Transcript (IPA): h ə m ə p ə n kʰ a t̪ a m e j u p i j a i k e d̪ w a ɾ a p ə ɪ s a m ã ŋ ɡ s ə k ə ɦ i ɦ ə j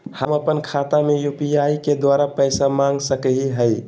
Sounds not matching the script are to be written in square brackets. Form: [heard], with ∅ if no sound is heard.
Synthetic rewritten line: h ə m ə p ə n kʰ a t̪ a m e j u p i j a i k e d̪ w a ɾ a p ə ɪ s a m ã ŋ ɡ s ə k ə ɦ i ɦ ə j

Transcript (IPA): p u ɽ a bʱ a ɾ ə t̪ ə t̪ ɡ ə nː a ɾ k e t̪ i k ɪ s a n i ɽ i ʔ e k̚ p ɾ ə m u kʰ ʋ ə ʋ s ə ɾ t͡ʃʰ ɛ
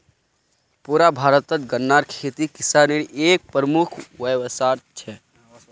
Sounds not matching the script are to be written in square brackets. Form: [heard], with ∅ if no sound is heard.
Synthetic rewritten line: p u [ɾ] a bʱ a ɾ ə t̪ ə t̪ ɡ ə nː a ɾ [kʰ] e t̪ i k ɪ s a n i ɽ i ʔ e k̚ p ɾ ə m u kʰ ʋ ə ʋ s [a] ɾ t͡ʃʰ ɛ

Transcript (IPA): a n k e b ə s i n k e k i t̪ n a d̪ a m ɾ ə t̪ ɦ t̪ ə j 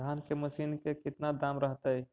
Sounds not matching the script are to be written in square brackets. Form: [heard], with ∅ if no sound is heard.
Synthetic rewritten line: a n k e [m] ə s i n k e k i t̪ n a d̪ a m ɾ ə [∅] ɦ t̪ ə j

